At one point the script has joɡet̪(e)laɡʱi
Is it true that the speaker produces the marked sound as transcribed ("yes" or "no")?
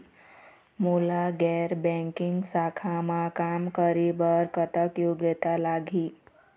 no